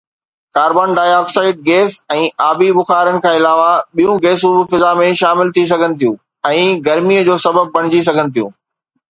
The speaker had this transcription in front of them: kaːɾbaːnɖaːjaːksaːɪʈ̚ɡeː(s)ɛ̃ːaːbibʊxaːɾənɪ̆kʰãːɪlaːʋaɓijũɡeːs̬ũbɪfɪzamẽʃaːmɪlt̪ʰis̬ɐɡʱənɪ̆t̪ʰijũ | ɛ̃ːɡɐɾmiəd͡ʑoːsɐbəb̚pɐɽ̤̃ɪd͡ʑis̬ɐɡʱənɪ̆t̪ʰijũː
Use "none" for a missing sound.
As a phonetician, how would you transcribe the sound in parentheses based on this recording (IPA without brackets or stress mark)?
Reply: s